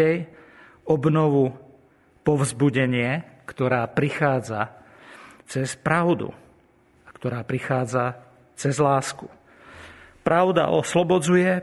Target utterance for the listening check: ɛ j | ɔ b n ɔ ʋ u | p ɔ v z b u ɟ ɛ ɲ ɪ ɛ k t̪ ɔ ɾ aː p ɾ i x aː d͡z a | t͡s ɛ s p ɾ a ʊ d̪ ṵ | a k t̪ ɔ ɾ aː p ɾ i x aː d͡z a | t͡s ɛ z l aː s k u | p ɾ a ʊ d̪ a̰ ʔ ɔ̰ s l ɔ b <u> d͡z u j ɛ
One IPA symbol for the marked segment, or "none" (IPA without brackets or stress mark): ɔ